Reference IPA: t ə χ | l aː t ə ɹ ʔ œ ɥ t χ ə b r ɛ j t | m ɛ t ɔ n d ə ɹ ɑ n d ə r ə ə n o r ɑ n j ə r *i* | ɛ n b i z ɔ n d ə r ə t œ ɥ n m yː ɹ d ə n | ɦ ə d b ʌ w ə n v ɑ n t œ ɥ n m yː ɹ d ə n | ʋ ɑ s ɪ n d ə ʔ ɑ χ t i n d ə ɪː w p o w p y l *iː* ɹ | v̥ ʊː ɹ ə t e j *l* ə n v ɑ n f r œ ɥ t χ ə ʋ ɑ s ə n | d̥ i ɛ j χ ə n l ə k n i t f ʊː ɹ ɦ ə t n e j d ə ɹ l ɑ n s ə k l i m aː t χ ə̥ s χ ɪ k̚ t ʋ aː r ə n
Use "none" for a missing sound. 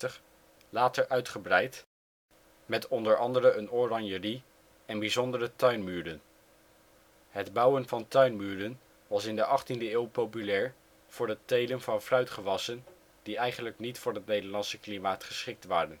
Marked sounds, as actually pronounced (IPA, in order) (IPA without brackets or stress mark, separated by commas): i, ɛː, l